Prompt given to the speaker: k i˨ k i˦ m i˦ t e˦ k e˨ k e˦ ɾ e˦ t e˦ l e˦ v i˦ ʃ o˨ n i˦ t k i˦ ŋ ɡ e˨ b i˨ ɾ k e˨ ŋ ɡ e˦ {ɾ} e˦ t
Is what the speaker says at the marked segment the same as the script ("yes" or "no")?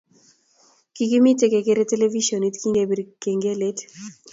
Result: no